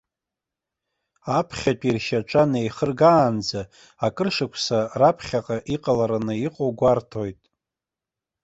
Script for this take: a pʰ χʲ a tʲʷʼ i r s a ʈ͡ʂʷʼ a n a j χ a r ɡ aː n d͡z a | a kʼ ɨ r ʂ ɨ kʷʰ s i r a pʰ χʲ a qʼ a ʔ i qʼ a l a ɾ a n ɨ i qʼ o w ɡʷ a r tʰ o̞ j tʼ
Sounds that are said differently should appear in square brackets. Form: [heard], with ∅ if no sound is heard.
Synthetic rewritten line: a pʰ χʲ a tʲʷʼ i r [ʃ] a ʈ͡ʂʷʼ a n [e] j χ [ə] r ɡ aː n d͡z a | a kʼ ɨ r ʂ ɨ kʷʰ s [a] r a pʰ χʲ a qʼ a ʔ i qʼ a l a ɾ a n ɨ i qʼ o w ɡʷ a r tʰ o̞ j tʼ